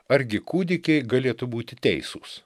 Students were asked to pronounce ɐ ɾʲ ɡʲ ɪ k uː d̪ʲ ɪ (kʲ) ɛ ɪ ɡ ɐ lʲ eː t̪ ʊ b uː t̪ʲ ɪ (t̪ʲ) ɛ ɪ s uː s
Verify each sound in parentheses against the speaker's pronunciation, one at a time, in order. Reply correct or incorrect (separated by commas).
correct, correct